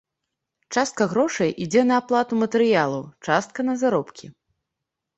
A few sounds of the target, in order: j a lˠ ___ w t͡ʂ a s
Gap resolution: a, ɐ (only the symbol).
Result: ɐ